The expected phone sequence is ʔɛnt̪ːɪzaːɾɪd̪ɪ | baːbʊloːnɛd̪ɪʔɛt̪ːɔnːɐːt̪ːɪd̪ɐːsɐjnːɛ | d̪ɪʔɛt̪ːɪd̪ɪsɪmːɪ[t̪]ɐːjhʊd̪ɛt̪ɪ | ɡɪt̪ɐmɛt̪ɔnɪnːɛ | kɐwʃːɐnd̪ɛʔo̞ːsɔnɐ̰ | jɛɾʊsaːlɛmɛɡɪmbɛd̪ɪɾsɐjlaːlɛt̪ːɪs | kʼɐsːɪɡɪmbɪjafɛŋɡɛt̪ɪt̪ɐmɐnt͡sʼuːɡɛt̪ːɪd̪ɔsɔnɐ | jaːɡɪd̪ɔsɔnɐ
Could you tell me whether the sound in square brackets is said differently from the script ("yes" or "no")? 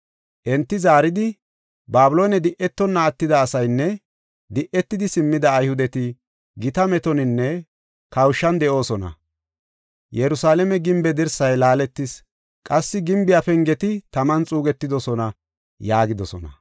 yes